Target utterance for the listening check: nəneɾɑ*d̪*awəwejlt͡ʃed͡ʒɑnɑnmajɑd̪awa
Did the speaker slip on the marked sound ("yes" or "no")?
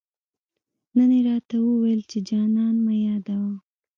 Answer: yes